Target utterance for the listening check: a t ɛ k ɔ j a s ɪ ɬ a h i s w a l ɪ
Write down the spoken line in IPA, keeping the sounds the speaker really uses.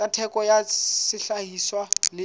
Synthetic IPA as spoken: a tʰ ɛ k ɔ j a s ɪ ɬ a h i s w a l ɪ